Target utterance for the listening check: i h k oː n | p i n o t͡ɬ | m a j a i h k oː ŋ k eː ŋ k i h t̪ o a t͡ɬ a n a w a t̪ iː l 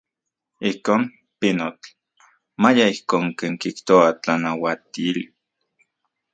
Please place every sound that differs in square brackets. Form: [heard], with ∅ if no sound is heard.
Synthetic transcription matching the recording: i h k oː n | p i n o t͡ɬ | m a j a i h k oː ŋ k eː ŋ k i h t̪ o a t͡ɬ a n a w a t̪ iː l